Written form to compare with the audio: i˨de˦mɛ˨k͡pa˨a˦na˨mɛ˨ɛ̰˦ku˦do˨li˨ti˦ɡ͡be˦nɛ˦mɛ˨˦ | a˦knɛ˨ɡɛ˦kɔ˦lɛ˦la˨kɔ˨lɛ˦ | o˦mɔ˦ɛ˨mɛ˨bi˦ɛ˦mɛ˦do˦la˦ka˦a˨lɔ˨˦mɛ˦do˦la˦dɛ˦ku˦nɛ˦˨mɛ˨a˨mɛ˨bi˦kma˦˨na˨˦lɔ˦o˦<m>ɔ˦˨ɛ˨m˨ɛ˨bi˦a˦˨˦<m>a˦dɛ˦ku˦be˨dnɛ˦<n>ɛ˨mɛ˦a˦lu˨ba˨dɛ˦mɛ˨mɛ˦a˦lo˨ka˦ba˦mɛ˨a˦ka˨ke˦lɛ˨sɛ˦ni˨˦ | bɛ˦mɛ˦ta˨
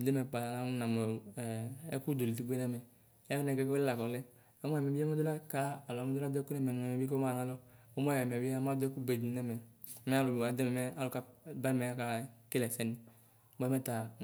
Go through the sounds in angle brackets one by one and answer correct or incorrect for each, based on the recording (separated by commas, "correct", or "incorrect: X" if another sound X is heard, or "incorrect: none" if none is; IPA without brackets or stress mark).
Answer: correct, correct, incorrect: m